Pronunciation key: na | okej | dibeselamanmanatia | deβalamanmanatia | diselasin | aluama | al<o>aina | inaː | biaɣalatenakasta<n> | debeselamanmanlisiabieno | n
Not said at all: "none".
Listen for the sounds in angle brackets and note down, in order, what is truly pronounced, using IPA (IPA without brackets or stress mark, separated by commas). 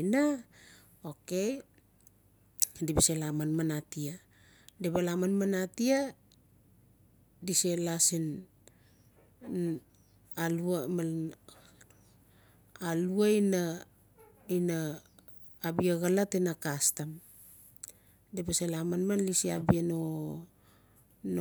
u, m